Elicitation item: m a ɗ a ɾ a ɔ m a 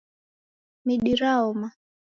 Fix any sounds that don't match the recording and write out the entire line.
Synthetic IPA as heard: m i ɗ i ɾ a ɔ m a